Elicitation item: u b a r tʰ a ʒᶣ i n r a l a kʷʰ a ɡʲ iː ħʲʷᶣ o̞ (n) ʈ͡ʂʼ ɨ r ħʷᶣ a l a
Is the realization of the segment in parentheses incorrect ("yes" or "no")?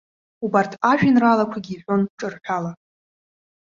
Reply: no